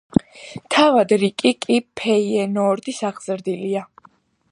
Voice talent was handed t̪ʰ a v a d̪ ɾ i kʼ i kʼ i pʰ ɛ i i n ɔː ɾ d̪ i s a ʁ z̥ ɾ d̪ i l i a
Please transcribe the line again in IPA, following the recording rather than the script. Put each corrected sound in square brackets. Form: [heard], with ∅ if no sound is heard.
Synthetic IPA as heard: t̪ʰ a v a d̪ ɾ i kʼ i kʼ i pʰ ɛ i [ɛ] n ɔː ɾ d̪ i s a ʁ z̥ ɾ d̪ i l i a